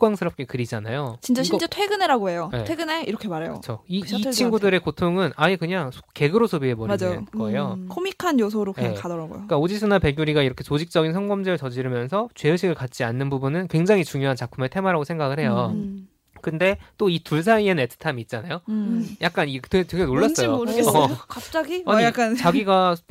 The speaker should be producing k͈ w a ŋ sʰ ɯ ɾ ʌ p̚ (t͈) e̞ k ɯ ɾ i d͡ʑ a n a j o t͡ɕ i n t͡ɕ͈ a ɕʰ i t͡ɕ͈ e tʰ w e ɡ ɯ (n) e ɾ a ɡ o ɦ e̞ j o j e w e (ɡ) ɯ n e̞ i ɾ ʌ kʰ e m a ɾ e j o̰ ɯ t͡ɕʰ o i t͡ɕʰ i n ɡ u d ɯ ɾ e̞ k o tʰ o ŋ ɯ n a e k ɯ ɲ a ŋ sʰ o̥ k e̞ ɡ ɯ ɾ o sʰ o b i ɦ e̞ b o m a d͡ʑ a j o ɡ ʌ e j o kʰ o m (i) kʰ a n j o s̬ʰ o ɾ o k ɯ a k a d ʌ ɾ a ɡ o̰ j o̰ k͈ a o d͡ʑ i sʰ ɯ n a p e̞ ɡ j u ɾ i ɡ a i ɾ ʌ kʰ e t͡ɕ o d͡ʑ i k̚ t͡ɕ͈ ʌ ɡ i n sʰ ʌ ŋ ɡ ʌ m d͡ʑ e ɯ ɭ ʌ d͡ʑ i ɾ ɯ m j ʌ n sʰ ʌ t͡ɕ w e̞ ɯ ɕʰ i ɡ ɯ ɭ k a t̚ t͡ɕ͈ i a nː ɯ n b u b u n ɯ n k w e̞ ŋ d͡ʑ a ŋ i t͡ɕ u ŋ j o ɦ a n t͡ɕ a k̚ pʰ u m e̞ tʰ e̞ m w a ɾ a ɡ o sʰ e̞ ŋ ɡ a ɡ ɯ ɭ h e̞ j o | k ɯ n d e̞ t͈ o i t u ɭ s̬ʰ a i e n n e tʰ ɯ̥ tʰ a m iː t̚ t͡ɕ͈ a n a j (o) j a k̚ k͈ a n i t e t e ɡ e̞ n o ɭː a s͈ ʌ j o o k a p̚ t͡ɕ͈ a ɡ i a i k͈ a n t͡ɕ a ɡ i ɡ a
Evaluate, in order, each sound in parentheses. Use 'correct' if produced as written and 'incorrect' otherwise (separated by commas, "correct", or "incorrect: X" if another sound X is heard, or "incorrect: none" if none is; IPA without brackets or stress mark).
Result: incorrect: k͈, correct, correct, correct, correct